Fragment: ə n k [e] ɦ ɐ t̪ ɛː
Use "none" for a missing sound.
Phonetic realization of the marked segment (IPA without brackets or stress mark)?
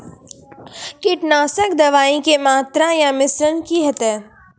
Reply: i